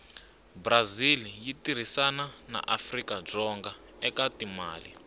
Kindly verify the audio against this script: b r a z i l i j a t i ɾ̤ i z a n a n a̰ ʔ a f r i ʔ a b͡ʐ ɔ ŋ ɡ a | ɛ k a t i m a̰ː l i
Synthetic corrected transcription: b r a z i l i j i t i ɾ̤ i s a n a n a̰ ʔ a f r i k a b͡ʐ ɔ ŋ ɡ a | ɛ k a t i m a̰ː l i